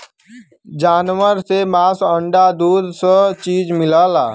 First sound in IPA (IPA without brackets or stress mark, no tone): d͡ʒ